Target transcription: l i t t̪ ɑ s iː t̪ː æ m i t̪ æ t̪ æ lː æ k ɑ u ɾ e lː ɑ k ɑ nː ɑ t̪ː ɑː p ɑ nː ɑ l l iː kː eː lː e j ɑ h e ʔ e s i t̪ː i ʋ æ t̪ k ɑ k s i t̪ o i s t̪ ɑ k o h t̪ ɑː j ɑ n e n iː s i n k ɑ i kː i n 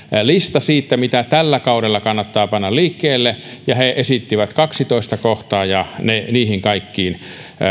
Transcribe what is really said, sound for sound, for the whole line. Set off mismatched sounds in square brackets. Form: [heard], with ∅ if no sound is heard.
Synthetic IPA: l i [s] t̪ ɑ s iː t̪ː æ m i t̪ æ t̪ æ lː æ k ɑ u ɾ e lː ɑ k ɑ nː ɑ t̪ː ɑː p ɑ nː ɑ l l iː kː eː lː e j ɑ h e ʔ e s i t̪ː i ʋ æ t̪ k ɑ k s i t̪ o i s t̪ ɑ k o h t̪ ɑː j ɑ n e n iː [h] i [ŋ] k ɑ i kː [iː] n